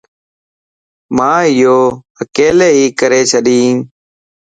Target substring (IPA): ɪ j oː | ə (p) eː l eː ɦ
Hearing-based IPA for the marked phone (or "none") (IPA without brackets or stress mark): k